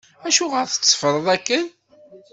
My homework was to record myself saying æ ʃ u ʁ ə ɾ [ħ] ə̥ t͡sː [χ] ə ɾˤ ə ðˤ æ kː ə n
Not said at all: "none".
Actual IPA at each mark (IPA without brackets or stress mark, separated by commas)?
θ, f